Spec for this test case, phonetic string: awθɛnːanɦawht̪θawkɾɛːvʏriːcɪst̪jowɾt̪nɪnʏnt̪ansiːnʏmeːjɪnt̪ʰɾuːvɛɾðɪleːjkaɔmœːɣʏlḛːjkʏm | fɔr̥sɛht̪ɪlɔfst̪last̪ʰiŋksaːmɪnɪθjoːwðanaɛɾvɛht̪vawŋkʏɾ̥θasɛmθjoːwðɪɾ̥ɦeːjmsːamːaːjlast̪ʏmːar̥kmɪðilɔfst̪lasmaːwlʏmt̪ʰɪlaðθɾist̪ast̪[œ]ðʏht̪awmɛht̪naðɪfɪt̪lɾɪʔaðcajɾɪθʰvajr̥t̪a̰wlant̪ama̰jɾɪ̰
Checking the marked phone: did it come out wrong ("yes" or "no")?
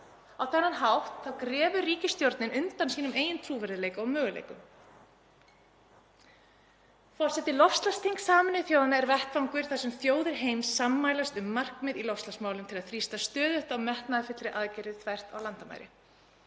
yes